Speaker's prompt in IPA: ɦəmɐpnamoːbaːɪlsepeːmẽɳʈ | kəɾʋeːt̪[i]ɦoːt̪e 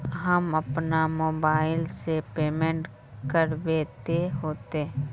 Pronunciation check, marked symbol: incorrect: e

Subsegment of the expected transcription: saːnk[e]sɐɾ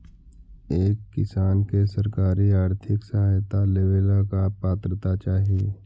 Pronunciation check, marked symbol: correct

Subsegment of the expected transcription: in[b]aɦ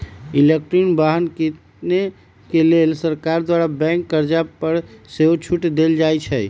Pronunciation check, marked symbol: correct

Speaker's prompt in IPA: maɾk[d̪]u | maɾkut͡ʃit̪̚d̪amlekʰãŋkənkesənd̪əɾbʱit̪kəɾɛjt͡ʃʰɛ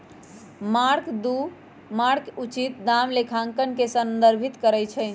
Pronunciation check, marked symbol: correct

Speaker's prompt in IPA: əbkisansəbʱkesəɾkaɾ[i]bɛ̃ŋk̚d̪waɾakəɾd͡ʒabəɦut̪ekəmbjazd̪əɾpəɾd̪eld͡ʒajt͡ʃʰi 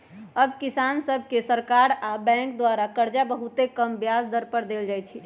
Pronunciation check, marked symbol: incorrect: a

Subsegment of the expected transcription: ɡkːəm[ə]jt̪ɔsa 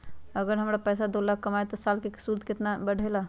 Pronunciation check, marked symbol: incorrect: a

